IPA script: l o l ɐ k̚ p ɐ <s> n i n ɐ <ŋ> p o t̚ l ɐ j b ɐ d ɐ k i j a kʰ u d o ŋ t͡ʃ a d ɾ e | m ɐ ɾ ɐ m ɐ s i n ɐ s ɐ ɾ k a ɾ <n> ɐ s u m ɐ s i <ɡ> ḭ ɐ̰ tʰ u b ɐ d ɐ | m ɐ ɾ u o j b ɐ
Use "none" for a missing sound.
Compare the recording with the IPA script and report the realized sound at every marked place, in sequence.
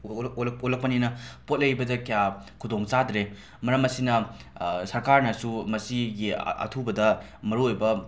none, none, n, ɡ

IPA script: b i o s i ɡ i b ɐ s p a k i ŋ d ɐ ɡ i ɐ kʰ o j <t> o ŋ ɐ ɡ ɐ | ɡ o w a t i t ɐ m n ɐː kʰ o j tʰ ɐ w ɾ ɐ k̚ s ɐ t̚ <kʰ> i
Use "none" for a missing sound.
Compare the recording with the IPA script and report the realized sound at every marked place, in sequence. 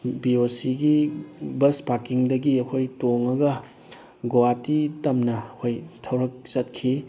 t, kʰ

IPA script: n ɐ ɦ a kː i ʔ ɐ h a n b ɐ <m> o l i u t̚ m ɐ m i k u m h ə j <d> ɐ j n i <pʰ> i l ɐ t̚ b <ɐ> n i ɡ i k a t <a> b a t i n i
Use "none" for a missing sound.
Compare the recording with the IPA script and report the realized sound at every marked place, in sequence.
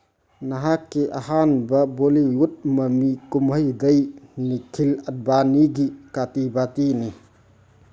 b, d, kʰ, a, i

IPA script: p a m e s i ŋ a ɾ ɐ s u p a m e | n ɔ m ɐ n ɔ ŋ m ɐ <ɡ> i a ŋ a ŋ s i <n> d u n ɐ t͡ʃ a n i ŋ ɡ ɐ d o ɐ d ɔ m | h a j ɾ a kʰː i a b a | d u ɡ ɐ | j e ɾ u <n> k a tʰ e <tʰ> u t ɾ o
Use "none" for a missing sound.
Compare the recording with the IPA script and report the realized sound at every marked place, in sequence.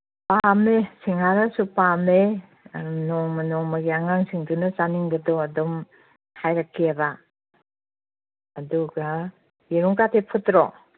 ɡ, ŋ, ŋ, pʰ

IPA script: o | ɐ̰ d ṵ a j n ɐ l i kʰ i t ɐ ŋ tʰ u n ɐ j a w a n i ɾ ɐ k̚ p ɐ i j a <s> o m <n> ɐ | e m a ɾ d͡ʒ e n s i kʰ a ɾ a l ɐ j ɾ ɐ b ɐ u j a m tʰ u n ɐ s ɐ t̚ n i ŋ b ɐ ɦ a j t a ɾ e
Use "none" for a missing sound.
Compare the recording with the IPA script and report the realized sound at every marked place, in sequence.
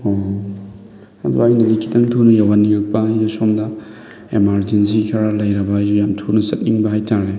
s, d

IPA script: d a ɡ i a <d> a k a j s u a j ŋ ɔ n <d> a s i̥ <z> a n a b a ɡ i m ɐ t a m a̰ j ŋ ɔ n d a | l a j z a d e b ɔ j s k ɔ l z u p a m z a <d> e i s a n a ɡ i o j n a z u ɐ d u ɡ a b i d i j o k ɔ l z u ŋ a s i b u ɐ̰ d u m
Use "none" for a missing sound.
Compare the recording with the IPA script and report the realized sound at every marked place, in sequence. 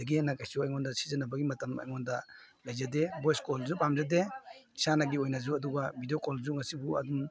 n, d, z, d

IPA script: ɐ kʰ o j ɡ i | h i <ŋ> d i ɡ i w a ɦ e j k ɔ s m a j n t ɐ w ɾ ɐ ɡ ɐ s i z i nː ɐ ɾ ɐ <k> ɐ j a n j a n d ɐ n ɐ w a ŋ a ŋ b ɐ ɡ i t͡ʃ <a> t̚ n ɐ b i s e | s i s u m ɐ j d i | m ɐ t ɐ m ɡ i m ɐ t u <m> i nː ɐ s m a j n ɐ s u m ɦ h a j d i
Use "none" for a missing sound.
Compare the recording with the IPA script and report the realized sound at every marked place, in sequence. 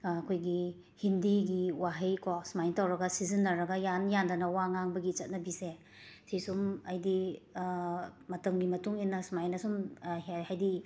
n, ɡ, ɐ, ŋ

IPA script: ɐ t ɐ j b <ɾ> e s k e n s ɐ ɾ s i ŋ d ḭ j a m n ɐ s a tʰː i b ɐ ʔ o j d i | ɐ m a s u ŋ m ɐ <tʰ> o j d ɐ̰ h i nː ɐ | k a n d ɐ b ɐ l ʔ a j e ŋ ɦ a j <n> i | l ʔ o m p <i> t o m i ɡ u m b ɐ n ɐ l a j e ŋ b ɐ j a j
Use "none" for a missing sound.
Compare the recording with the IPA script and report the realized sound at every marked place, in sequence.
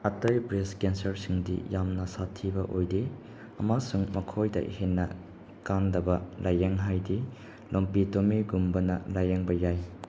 ɾ, kʰ, d, i

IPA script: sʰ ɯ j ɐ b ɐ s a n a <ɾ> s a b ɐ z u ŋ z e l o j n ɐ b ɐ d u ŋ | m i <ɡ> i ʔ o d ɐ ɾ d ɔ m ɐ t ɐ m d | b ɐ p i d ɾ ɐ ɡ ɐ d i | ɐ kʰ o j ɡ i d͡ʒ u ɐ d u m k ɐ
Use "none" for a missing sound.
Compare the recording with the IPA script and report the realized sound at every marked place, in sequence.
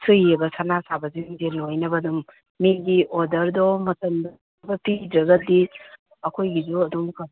none, ɡ

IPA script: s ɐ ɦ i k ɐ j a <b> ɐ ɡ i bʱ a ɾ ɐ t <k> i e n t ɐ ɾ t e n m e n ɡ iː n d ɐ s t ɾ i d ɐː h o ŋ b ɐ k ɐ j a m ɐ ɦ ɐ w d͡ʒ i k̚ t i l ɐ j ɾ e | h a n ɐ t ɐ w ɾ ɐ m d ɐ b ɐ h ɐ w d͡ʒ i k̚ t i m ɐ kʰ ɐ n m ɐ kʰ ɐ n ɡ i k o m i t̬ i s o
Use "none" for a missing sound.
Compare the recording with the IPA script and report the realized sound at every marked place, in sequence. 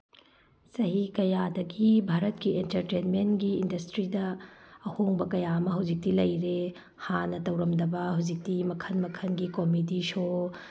d, k

